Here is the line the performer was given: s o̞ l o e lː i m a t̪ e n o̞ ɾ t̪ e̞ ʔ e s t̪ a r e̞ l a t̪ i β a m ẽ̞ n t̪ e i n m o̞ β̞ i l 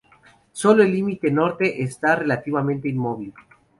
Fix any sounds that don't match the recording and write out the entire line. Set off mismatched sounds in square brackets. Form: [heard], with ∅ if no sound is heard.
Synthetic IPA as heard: s o̞ l o e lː i m [i] t̪ e n o̞ ɾ t̪ e̞ ʔ e s t̪ a r e̞ l a t̪ i β a m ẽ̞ n t̪ e i n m o̞ β̞ i l